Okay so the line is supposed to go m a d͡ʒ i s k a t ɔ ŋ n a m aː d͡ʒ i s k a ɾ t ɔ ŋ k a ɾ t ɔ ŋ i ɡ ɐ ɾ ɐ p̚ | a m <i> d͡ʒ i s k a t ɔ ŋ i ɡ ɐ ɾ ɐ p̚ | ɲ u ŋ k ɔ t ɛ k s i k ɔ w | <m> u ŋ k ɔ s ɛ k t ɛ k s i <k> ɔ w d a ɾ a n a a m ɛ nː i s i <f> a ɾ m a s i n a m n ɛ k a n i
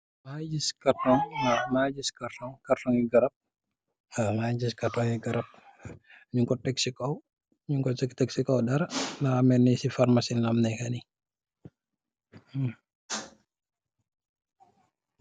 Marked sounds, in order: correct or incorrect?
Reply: incorrect, incorrect, correct, correct

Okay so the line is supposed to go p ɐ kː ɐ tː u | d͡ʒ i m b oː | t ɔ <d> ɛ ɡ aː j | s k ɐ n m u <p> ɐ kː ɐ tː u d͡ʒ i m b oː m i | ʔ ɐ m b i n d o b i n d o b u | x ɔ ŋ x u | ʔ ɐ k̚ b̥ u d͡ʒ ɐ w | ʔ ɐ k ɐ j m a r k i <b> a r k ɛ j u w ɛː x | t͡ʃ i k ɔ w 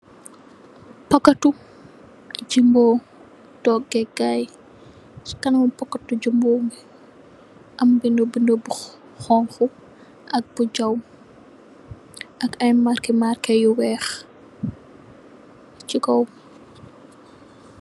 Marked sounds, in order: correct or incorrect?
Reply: incorrect, correct, incorrect

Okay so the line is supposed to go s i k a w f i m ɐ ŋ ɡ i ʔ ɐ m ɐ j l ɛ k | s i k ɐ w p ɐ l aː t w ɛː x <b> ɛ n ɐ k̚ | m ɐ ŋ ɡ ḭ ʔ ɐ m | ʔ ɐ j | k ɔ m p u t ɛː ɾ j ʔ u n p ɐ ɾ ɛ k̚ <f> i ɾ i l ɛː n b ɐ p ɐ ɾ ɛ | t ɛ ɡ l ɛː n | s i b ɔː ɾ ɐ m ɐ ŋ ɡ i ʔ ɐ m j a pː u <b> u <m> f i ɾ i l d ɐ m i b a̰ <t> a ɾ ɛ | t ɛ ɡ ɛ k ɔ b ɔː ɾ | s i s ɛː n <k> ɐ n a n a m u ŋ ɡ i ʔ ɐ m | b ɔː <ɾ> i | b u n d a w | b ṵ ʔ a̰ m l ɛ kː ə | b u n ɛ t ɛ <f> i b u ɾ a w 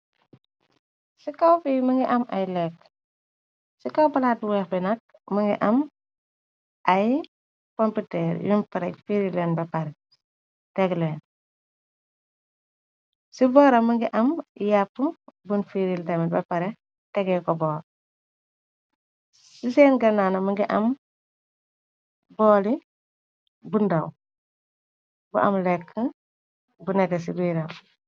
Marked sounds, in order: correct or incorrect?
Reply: correct, correct, correct, incorrect, incorrect, incorrect, incorrect, incorrect

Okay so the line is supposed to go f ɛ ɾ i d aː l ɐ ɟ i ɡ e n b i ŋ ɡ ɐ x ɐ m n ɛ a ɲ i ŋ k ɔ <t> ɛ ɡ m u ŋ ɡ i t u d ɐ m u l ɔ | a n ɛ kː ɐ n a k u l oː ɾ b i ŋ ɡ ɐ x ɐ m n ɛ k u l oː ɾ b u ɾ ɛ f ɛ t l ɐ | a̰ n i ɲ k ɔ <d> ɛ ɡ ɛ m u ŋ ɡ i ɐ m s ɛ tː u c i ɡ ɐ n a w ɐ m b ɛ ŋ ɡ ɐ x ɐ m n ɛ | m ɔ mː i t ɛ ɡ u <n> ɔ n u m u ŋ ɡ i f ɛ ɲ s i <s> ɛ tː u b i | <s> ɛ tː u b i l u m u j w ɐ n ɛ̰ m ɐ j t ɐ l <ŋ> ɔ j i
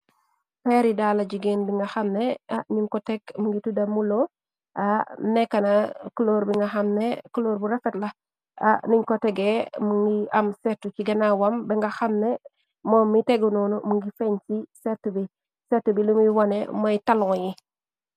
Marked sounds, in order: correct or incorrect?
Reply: correct, incorrect, correct, correct, correct, correct

